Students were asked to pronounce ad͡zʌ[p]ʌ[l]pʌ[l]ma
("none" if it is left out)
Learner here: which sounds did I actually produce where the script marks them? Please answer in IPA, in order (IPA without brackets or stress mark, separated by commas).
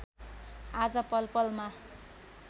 p, l, l